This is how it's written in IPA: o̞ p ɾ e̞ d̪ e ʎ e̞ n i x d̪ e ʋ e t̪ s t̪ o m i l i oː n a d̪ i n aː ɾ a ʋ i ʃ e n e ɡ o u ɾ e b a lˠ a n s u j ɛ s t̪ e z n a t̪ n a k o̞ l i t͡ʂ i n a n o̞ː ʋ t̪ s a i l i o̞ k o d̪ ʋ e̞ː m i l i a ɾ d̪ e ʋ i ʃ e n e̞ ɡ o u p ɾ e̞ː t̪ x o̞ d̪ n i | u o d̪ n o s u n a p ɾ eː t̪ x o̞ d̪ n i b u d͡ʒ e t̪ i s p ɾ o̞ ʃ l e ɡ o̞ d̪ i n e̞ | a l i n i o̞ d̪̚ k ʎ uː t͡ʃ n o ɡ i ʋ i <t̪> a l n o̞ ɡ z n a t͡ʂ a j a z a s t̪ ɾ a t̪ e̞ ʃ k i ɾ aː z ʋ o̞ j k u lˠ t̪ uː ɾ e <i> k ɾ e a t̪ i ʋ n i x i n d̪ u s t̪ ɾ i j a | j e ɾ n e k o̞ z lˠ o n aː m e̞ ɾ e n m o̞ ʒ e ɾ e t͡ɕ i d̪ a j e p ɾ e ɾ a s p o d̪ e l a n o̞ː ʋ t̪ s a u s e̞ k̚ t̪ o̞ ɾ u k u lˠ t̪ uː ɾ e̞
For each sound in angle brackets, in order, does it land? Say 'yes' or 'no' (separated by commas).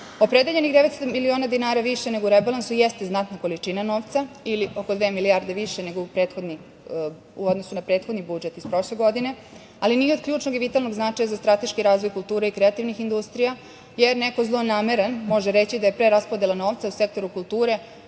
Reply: yes, yes